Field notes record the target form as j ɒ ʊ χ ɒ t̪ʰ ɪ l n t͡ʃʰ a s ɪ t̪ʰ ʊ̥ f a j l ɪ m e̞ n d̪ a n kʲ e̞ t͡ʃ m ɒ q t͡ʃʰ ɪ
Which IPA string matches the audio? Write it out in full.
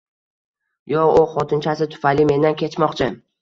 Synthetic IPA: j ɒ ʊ χ ɒ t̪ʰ ɪ n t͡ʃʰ a s ɪ t̪ʰ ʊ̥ f a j l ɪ m e̞ n d̪ a n kʲ e̞ t͡ʃ m ɒ q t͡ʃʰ ɪ

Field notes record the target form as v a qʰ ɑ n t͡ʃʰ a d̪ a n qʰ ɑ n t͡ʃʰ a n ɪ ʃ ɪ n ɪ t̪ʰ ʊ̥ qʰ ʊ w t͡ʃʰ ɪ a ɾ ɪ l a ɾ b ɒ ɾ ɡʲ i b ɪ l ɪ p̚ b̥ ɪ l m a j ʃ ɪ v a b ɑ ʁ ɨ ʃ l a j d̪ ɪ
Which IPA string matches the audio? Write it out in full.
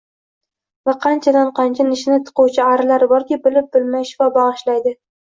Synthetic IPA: v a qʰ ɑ n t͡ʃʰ a d̪ a n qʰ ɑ n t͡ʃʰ a n ɪ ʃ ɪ n ɪ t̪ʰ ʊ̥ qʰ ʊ w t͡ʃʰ ɪ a ɾ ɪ l a ɾ b ɒ ɾ kʲ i b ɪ l ɪ p̚ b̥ ɪ l m a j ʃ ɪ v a b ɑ ʁ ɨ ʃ l a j d̪ ɪ

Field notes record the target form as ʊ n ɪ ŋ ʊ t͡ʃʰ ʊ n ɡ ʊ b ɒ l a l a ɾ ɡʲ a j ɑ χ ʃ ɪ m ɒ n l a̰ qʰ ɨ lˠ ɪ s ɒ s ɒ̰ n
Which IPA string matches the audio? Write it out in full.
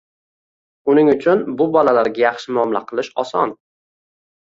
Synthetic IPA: ʊ n ɪ ŋ ʊ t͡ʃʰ ʊ n b ʊ b ɒ l a l a ɾ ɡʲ a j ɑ χ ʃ ɪ m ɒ m l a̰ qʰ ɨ lˠ ɪ ʃ ɒ s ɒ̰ n

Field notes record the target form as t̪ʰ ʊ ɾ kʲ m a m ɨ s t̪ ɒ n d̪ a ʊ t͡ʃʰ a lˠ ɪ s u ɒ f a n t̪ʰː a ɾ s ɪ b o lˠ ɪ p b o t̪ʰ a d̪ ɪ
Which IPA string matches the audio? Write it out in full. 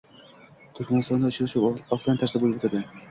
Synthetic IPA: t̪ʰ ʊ ɾ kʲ m a n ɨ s t̪ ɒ n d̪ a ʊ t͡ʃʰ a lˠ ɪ ʃ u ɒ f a n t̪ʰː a ɾ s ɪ b o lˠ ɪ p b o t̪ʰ a d̪ ɪ

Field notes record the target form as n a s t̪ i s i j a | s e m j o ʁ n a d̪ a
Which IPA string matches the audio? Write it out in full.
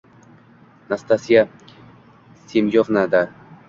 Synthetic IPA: n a s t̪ a s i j a | s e m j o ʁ n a d̪ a

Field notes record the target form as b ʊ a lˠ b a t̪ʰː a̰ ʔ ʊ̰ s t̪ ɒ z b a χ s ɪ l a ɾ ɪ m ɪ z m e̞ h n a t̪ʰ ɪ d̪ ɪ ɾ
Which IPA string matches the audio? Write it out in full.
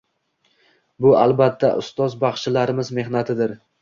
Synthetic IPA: b ʊ a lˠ b a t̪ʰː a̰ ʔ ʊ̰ s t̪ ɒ z b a χ ʃ ɪ l a ɾ ɪ m ɪ z m e̞ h n a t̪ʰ ɪ d̪ ɪ ɾ

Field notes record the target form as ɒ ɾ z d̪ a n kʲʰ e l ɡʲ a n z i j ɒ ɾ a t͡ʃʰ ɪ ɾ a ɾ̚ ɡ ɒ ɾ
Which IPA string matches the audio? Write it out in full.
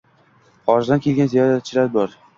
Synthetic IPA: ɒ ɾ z d̪ a n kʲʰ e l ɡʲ a n z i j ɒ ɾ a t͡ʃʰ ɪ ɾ a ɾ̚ b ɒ ɾ

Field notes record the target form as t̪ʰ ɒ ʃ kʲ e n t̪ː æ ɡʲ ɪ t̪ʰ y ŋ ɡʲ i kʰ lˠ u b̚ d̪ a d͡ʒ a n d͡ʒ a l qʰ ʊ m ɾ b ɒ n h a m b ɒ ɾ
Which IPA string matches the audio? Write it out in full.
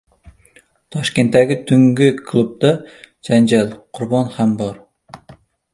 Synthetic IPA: t̪ʰ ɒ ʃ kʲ e n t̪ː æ ɡʲ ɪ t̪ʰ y ŋ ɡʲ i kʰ lˠ u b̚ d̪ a d͡ʒ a n d͡ʒ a l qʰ ʊ ɾ b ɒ n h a m b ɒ ɾ

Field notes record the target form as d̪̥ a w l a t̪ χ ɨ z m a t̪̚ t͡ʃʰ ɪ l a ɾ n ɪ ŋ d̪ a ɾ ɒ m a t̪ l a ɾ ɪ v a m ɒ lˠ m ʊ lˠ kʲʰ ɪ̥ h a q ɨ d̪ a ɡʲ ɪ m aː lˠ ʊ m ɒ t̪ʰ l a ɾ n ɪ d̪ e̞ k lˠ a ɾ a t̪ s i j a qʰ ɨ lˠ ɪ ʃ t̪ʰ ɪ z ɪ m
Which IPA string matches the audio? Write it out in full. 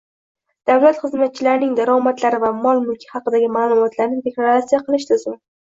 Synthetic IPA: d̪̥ a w l a t̪ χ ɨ z m a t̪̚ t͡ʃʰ ɪ l a ɾ n ɪ ŋ d̪ a ɾ ɒ m a t̪ l a ɾ ɪ v a m ɒ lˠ m ʊ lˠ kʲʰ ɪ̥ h ɑ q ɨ d̪ a ɡʲ ɪ m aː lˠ ʊ m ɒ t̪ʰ l a ɾ n ɪ d̪ e̞ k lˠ a ɾ a t̪ s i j a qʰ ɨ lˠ ɪ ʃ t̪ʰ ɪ z ɪ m

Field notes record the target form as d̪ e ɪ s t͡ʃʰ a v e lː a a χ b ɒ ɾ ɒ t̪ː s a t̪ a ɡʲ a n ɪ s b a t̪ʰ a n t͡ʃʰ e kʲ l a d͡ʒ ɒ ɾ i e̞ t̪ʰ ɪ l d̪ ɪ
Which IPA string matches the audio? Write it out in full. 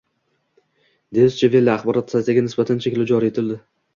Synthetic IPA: d̪ e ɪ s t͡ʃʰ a v e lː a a χ b ɒ ɾ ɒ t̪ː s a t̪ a ɡʲ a n ɪ s b a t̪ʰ a n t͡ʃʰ e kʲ l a d͡ʒ ɒ ɾ i e̞ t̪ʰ ɪ l d̪ ɪ

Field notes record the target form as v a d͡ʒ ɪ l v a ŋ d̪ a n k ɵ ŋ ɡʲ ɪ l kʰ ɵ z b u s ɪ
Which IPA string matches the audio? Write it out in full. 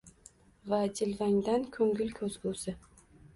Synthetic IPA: v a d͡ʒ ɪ l v a ŋ d̪ a n kʰ ɵ ŋ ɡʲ ɪ l kʰ ɵ z ɡ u s ɪ

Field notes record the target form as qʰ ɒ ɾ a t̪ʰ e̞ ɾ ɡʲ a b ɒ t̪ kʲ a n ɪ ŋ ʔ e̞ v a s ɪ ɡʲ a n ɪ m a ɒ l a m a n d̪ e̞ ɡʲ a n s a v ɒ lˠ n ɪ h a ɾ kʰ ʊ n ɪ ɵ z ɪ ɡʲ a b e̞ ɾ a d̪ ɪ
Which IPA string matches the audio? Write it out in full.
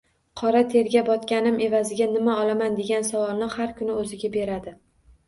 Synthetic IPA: qʰ ɒ ɾ a t̪ʰ e̞ ɾ ɡʲ a b ɒ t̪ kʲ a n ɪ m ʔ e̞ v a z ɪ ɡʲ a n ɪ m a ɒ l a m a n d̪ e̞ ɡʲ a n s a v ɒ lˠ n ɪ h a ɾ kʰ ʊ n ɪ ɵ z ɪ ɡʲ a b e̞ ɾ a d̪ ɪ

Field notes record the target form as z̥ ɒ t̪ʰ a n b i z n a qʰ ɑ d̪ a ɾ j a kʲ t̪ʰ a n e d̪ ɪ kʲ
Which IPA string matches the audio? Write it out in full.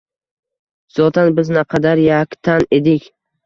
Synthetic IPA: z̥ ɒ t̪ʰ a n b ɪ z n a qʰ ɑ d̪ a ɾ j a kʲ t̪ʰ a n e d̪ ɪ kʲ

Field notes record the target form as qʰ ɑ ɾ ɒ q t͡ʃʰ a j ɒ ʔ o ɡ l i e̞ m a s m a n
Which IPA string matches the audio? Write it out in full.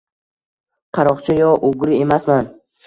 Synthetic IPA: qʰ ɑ ɾ ɒ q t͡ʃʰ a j ɒ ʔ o ɡ ɾ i e̞ m a s m a n

